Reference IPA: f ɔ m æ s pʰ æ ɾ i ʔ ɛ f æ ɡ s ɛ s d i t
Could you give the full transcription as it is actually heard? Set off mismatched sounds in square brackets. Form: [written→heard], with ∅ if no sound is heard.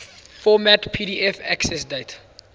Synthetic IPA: f ɔ m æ [s→t] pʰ [æ→i] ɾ i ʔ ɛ f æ [ɡ→k] s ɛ s d [i→e] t